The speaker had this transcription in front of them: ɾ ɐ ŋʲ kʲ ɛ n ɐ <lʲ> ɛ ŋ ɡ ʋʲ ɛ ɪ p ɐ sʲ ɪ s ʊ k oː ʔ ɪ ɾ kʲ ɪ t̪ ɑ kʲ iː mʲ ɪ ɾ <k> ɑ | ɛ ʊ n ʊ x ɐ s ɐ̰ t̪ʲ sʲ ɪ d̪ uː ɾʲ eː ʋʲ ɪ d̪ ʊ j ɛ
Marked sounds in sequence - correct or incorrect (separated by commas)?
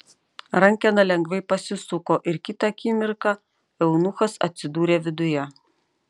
correct, correct